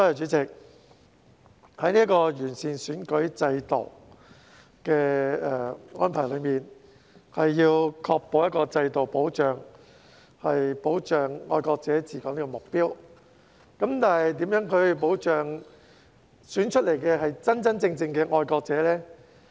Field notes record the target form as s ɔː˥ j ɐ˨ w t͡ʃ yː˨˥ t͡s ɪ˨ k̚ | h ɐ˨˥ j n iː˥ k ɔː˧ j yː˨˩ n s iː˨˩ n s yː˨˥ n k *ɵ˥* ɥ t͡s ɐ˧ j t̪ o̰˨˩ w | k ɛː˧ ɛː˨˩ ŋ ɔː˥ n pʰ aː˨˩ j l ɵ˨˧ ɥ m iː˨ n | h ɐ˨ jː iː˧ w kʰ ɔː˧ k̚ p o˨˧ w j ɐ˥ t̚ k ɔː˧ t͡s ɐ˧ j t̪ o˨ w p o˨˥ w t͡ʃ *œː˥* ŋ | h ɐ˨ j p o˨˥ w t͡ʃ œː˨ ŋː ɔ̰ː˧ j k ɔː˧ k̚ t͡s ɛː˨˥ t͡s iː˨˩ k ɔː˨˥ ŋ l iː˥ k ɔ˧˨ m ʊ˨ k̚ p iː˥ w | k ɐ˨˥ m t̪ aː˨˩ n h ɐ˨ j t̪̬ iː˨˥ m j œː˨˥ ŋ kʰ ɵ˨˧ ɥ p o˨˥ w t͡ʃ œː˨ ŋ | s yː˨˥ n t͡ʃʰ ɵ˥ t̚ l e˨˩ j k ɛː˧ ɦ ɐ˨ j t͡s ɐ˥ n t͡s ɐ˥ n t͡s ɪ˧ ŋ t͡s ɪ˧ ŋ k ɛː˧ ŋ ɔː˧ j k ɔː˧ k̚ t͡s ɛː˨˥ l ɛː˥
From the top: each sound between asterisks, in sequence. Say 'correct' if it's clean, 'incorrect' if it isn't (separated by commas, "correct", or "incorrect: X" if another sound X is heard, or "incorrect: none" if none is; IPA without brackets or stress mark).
incorrect: ɵ˨˥, incorrect: œː˨˩